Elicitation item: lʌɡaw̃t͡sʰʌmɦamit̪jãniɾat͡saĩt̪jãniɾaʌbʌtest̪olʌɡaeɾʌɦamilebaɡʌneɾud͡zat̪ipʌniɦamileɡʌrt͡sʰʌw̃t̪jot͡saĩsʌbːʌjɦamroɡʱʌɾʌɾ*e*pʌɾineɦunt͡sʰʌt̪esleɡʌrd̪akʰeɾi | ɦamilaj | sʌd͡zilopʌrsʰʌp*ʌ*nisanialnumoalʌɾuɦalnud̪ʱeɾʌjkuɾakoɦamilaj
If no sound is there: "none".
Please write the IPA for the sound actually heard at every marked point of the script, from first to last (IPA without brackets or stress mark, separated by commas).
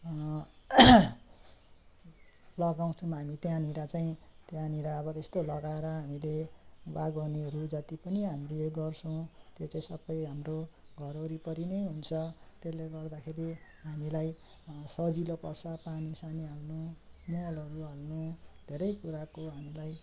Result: i, a